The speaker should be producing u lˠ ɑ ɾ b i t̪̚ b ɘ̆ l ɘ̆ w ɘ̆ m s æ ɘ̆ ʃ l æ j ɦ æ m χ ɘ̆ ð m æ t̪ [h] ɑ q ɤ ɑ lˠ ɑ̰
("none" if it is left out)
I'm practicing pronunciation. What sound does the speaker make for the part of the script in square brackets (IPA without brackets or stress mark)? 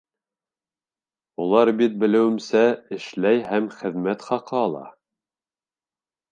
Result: χ